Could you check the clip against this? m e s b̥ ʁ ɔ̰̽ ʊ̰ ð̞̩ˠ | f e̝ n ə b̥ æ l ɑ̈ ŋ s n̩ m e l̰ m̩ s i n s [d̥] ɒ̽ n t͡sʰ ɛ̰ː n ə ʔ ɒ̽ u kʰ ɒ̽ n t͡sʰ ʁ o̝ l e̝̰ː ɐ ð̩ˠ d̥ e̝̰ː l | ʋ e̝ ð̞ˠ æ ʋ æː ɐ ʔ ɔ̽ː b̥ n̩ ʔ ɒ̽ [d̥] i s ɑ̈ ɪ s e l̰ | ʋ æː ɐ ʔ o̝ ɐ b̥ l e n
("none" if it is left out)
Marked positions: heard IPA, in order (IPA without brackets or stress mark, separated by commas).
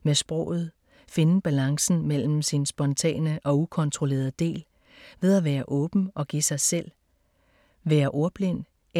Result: b̥, ɡ̥